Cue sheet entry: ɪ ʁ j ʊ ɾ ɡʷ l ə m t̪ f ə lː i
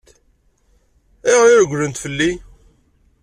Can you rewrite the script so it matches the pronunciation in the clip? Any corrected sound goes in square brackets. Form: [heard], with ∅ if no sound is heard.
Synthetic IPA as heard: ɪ ʁ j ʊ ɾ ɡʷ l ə [n] t̪ f ə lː i